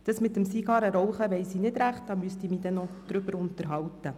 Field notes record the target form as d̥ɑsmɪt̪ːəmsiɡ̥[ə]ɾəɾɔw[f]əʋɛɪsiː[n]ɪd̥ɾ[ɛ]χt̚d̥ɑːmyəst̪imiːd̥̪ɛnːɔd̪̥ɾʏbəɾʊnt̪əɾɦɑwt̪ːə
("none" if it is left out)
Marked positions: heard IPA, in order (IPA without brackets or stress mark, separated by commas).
ɑ, χ, n, æ